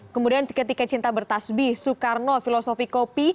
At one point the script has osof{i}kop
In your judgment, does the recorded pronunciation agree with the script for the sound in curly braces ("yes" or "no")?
yes